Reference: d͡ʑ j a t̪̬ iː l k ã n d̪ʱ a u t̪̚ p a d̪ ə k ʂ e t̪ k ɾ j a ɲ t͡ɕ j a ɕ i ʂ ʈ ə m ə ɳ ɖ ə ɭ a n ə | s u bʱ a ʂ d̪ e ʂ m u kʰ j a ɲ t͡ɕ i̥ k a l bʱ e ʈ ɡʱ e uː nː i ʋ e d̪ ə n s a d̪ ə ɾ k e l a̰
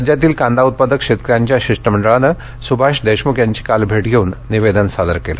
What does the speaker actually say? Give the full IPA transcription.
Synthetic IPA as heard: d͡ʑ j a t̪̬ iː l k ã n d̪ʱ a u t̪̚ p a d̪ ə k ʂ e t̪ k ɾ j a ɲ t͡ɕ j a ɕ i ʂ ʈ ə m ə ɳ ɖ ə ɭ a n ə | s u bʱ a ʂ d̪ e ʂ m u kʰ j a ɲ t͡ɕ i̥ k a l bʱ e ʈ ɡʱ e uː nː i ʋ e d̪ ə n s a d̪ ə ɾ k e l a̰